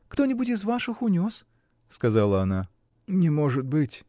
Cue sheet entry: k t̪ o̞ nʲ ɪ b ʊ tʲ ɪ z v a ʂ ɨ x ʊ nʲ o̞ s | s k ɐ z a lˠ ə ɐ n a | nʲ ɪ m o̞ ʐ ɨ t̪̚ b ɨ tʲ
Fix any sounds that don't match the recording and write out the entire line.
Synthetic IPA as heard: k t̪ o̞ nʲ ɪ b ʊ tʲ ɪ z v a ʂ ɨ x ʊ nʲ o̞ s | s k ɐ z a lˠ ə ɐ n a | nʲ ɪ m o̞ ʐ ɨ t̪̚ b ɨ tʲ